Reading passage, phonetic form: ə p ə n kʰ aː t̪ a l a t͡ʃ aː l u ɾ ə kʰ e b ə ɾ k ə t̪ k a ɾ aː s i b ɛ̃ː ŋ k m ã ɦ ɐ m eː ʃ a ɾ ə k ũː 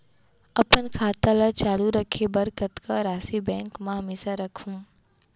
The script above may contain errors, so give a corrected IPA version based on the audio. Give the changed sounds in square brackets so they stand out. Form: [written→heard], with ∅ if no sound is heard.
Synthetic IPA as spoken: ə p ə n kʰ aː t̪ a l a t͡ʃ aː l u ɾ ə kʰ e b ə ɾ k ə t̪ k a ɾ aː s i b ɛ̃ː ŋ k m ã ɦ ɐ m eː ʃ a ɾ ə [k→kʰ] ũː